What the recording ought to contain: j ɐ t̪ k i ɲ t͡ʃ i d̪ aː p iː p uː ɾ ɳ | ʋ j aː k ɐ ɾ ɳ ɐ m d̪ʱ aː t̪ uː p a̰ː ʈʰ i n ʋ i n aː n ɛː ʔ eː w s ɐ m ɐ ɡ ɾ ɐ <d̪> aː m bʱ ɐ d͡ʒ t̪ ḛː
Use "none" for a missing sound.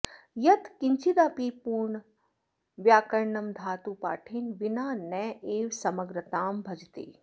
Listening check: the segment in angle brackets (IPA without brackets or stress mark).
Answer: t̪